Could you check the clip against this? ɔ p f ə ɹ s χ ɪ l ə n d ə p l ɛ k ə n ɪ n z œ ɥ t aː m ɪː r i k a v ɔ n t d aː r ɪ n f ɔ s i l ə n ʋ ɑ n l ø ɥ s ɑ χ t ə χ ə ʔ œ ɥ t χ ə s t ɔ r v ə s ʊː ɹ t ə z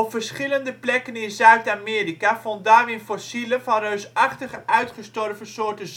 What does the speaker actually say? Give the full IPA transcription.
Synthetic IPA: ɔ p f ə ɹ s χ ɪ l ə n d ə p l ɛ k ə n ɪ n z œ ɥ t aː m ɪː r i k a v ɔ n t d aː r ɪ n f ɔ s i l ə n v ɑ n r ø ɥ s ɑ χ t ə χ ə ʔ œ ɥ t χ ə s t ɔ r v ə s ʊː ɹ t ə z